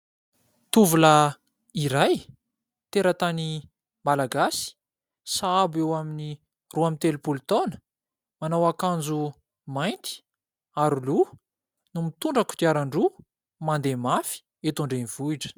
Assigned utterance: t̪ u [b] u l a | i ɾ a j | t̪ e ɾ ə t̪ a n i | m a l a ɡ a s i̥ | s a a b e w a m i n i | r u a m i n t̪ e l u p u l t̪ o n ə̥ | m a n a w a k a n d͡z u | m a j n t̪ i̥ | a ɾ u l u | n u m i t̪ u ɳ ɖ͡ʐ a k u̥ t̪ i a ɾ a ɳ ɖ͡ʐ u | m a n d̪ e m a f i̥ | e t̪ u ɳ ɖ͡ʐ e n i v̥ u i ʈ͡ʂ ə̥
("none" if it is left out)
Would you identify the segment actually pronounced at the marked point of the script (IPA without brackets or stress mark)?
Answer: v